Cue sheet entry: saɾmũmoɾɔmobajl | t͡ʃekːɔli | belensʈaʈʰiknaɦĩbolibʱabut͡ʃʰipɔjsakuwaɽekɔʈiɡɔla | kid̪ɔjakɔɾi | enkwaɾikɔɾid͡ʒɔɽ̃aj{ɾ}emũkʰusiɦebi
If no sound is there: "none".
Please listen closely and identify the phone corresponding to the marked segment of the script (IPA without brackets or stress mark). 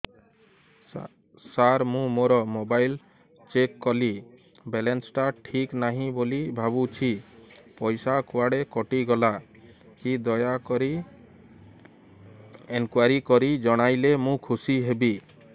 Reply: l